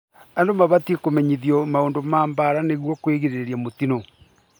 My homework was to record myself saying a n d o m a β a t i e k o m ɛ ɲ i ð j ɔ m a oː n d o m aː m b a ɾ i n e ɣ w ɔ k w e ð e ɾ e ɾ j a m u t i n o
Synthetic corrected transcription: a n d o m a β a t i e k o m ɛ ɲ i ð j ɔ m a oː n d o m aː m b a ɾ a n e ɣ w ɔ k w e ɣ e ɾ e ɾ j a m o t i n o